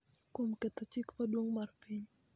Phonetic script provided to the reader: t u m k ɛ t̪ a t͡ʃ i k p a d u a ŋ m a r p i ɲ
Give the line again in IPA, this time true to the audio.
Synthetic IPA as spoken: k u m k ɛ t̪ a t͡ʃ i k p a d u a ŋ m a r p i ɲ